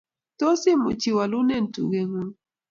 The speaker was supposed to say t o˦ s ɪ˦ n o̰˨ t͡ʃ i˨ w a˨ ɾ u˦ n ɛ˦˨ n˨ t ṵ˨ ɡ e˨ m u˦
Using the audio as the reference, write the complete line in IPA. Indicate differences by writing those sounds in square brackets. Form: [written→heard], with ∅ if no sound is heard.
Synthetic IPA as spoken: t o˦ s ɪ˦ [n→m] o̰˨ t͡ʃ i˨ w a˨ [ɾ→l] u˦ n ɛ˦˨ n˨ t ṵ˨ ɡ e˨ [m→ŋ] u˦